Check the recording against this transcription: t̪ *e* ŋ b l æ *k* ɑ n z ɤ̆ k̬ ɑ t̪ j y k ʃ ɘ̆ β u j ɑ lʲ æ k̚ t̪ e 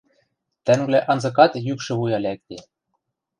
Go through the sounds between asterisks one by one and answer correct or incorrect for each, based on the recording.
incorrect: æ, incorrect: ʔ

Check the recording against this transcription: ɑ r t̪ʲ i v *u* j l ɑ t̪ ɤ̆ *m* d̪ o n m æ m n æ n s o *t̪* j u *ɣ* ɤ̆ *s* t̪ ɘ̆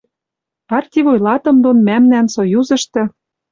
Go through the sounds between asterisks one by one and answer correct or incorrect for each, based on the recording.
incorrect: o, correct, incorrect: none, incorrect: z, incorrect: ʃ

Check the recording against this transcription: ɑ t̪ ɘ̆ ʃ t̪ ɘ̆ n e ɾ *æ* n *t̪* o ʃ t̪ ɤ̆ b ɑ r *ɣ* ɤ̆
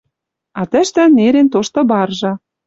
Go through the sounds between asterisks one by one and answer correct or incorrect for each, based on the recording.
incorrect: e, correct, incorrect: ʒ

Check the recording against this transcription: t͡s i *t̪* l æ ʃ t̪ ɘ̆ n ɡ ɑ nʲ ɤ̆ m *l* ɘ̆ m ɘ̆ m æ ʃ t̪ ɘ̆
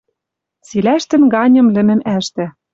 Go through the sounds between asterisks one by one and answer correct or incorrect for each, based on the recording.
incorrect: none, correct

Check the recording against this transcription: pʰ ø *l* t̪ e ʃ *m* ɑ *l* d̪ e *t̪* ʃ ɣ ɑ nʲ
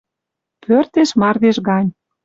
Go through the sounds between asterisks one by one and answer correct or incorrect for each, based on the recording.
incorrect: r, correct, incorrect: r, incorrect: none

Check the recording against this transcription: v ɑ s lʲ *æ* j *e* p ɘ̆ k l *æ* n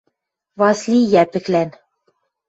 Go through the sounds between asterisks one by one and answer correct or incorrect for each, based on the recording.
incorrect: i, incorrect: æ, correct

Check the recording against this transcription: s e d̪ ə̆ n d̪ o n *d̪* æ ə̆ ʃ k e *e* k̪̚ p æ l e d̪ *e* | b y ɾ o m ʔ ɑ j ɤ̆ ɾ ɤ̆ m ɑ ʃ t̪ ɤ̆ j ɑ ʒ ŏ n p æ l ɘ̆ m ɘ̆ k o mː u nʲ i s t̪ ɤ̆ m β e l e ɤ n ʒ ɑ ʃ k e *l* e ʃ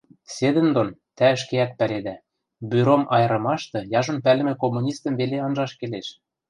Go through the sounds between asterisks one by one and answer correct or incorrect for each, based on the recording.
incorrect: t̪, incorrect: æ, incorrect: æ, correct

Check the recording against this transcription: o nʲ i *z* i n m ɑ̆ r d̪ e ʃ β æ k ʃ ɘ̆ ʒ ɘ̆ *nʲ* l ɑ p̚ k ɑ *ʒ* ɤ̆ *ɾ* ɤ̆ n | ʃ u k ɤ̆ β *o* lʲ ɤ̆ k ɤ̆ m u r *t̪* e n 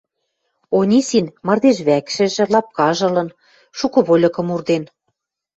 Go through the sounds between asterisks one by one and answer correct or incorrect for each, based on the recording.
incorrect: s, incorrect: none, correct, incorrect: l, correct, incorrect: d̪

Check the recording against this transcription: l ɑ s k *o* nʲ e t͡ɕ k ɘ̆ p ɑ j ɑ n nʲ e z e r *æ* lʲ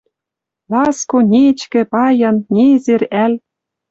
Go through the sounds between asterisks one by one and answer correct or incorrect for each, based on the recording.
correct, correct

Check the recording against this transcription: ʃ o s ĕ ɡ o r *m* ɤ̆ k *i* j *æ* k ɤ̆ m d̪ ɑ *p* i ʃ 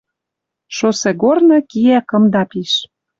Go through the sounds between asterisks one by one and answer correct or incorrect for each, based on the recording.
incorrect: n, correct, correct, correct

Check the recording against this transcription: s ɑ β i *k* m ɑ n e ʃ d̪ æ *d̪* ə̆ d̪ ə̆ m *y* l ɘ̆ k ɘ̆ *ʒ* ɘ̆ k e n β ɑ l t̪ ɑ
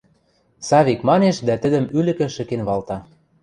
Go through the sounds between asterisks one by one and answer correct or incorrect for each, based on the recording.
correct, incorrect: t̪, correct, incorrect: ʃ

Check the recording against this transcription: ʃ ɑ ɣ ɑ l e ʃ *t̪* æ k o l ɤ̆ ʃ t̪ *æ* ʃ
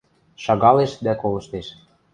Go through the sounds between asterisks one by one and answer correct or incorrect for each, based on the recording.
incorrect: d̪, incorrect: e

